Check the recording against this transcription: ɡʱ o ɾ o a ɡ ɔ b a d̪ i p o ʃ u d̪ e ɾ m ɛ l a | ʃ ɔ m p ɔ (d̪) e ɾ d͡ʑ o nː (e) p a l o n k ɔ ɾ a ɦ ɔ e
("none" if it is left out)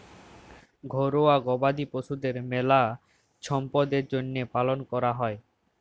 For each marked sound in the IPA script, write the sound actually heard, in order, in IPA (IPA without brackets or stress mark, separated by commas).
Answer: d̪, e